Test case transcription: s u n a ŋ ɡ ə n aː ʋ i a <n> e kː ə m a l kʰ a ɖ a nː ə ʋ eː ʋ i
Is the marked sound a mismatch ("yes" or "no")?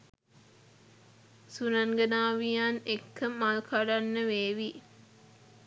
no